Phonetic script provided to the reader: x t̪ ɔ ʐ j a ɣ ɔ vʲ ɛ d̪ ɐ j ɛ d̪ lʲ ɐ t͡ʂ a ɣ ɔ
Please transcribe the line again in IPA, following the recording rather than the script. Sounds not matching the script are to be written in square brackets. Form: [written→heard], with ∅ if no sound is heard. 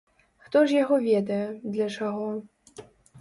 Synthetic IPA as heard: x t̪ ɔ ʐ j a ɣ ɔ vʲ ɛ d̪ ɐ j ɛ d̪ lʲ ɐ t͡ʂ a ɣ ɔ